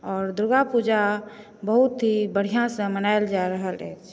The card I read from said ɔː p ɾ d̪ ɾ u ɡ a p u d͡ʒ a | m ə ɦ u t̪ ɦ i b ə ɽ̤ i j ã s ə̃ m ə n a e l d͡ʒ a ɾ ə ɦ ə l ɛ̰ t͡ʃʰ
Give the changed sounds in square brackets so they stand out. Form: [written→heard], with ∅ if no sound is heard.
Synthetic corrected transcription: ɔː [p→∅] ɾ d̪ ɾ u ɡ a p u d͡ʒ a | [m→b] ə ɦ u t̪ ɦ i b ə ɽ̤ i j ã s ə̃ m ə n a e l d͡ʒ a ɾ ə ɦ ə l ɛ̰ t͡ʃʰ